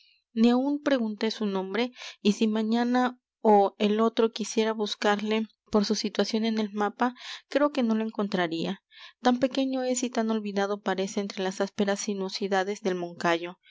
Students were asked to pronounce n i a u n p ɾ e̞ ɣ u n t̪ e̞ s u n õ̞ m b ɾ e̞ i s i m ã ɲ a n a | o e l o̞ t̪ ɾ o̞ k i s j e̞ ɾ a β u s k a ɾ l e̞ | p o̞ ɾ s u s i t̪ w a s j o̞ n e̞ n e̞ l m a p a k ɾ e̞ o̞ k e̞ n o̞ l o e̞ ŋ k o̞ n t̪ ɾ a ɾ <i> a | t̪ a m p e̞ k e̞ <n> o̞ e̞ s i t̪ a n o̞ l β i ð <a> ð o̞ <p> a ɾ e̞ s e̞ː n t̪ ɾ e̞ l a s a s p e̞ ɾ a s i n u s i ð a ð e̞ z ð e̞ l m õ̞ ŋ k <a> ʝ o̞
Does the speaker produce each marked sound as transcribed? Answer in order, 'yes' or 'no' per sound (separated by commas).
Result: yes, no, yes, yes, yes